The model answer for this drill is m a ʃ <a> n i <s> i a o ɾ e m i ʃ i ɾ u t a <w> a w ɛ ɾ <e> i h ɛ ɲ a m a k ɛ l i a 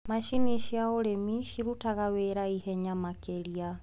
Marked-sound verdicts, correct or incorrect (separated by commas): incorrect, incorrect, incorrect, incorrect